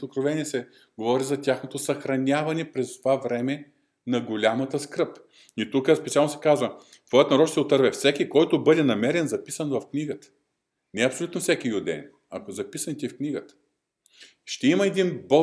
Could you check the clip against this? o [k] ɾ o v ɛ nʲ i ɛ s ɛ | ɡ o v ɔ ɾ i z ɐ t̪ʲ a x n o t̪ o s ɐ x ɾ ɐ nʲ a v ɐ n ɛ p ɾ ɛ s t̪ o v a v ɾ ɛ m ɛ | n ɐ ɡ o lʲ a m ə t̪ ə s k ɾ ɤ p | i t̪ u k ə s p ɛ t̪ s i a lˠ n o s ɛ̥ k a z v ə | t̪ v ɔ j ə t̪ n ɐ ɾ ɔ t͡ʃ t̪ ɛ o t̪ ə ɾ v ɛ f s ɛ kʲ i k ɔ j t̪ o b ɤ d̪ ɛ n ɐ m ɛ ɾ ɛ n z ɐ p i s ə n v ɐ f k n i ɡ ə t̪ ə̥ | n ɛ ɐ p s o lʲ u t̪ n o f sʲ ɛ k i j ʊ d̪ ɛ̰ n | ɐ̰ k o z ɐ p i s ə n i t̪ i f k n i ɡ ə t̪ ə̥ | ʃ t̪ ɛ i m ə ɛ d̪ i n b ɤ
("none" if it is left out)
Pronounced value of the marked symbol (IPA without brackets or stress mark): k